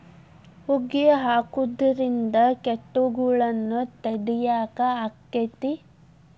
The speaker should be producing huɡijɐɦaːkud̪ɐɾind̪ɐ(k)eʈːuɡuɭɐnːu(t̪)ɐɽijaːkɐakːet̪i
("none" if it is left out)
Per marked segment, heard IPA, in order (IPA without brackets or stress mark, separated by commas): k, t̪